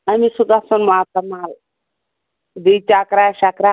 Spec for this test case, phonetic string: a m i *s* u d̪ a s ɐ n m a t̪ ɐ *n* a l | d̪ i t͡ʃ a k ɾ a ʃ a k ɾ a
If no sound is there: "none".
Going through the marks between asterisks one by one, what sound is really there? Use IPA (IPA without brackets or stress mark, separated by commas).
s, m